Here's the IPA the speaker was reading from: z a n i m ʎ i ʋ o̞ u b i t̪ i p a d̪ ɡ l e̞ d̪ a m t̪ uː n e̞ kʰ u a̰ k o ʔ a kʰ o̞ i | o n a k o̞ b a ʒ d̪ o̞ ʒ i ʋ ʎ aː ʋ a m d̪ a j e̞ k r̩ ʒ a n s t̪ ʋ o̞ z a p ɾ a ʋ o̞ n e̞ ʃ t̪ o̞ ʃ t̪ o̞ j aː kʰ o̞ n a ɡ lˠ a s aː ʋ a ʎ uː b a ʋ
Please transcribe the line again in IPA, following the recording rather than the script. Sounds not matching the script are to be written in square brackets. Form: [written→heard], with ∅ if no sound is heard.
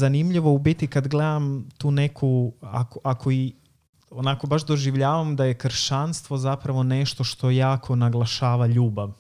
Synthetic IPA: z a n i m ʎ i ʋ o̞ u b i t̪ i [p→k] a d̪ ɡ l e̞ d̪ a m t̪ uː n e̞ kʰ u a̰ k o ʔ a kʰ o̞ i | o n a k o̞ b a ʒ d̪ o̞ ʒ i ʋ ʎ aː ʋ a m d̪ a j e̞ k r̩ [ʒ→ʃ] a n s t̪ ʋ o̞ z a p ɾ a ʋ o̞ n e̞ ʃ t̪ o̞ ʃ t̪ o̞ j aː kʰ o̞ n a ɡ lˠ a [s→ʃ] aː ʋ a ʎ uː b a ʋ